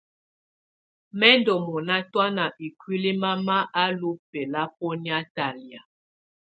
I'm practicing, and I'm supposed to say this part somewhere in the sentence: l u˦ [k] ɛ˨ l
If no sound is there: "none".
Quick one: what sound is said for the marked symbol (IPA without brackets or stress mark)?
p